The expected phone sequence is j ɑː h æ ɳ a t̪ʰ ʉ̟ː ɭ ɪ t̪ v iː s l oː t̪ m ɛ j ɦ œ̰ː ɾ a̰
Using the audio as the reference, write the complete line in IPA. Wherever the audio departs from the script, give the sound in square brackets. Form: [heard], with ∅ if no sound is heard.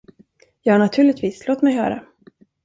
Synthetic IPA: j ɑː h [a] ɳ a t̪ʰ ʉ̟ː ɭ ɪ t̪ v iː s l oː t̪ m ɛ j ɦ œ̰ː ɾ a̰